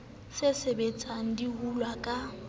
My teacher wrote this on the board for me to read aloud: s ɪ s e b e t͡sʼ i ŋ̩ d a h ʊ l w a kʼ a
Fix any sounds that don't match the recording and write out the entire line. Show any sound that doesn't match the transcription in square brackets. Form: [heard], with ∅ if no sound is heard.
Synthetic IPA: s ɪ s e b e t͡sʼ [a] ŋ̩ d [i] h [u] l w a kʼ a